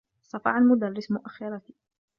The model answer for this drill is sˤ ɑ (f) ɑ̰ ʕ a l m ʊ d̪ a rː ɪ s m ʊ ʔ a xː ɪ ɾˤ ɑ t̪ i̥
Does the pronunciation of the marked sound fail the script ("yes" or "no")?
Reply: no